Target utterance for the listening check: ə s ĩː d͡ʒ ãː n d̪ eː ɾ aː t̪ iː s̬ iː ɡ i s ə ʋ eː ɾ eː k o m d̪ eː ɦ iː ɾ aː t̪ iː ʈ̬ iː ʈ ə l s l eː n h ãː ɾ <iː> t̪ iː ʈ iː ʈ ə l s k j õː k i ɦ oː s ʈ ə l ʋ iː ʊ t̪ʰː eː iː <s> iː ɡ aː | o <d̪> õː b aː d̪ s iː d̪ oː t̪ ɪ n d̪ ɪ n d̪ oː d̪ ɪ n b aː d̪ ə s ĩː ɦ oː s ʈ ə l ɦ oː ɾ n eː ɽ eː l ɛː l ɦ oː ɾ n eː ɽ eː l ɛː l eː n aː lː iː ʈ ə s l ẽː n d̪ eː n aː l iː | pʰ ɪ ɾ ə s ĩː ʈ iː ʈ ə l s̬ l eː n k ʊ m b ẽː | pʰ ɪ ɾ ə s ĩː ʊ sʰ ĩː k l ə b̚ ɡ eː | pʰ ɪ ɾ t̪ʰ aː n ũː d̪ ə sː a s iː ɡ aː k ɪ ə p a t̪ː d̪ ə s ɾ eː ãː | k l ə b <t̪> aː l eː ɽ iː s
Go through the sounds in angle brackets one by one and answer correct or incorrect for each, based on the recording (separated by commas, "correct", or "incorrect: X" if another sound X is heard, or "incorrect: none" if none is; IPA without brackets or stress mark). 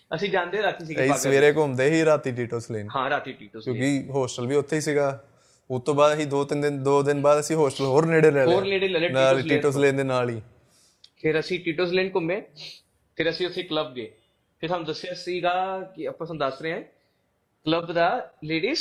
incorrect: aː, correct, incorrect: t̪, incorrect: d̪